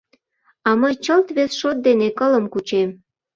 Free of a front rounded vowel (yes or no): yes